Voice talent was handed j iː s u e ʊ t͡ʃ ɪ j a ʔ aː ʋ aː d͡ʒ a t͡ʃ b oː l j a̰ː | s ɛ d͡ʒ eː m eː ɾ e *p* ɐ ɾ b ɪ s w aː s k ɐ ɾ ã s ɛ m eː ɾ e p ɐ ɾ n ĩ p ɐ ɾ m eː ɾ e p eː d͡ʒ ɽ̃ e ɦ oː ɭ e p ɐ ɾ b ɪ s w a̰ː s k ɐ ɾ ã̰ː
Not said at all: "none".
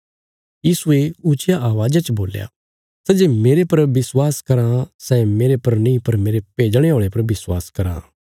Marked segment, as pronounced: p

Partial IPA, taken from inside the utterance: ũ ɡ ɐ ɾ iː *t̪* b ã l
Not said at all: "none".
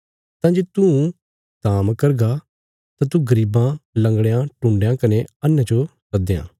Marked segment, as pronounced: none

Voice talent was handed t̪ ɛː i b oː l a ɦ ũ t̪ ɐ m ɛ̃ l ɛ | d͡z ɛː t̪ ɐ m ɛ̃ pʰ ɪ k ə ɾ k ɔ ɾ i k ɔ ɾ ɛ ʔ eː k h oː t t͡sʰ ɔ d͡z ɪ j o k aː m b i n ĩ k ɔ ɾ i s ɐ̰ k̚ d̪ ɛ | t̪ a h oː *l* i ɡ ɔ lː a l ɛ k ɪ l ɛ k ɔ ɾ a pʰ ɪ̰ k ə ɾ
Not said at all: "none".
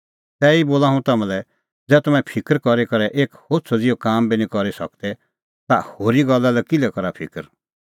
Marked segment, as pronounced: ɾ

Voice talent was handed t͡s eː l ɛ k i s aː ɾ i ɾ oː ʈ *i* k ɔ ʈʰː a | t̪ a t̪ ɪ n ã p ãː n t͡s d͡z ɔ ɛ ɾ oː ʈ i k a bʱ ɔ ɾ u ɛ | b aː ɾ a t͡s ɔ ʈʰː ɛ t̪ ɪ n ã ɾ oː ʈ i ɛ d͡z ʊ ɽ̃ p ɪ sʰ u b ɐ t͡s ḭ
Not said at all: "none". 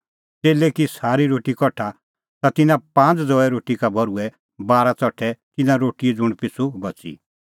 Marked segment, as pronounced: i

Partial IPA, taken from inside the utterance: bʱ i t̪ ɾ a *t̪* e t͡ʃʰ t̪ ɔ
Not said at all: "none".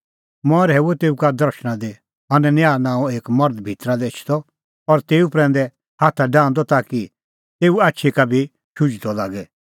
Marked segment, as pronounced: d̪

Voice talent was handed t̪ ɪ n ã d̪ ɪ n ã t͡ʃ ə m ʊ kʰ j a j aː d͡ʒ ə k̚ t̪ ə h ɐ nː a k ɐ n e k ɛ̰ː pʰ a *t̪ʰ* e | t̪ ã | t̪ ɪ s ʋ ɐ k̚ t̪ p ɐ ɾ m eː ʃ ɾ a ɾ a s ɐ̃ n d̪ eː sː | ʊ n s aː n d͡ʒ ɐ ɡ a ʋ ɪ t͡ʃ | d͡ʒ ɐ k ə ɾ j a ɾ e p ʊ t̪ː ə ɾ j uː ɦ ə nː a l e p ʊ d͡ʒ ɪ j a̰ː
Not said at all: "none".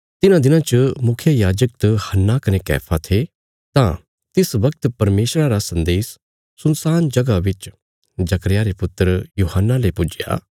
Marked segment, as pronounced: t̪ʰ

